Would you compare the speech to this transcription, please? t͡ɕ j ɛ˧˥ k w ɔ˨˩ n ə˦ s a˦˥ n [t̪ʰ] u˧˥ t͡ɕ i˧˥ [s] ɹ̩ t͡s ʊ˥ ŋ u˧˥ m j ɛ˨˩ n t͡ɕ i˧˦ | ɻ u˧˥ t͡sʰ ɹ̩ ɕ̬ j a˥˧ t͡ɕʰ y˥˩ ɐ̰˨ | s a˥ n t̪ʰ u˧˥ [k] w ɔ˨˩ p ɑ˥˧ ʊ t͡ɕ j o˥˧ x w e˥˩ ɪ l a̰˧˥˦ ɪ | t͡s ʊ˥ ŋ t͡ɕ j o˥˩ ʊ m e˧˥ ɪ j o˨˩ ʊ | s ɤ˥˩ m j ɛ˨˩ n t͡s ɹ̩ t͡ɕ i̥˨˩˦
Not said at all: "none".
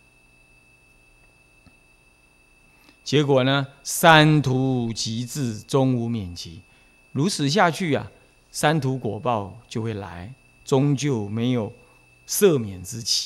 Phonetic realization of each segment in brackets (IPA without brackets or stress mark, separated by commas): t̪ʰ, t͡s, k